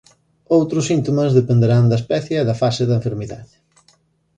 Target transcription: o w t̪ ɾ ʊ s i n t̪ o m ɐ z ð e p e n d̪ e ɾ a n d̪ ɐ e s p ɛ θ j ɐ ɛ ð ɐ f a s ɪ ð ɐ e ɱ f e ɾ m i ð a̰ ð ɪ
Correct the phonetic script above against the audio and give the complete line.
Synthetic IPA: o w t̪ ɾ ʊ s i n t̪ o m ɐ z ð e p e n d̪ e ɾ a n d̪ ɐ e s p ɛ θ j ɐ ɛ ð ɐ f a s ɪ ð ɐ e ɱ f e ɾ m i ð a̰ ð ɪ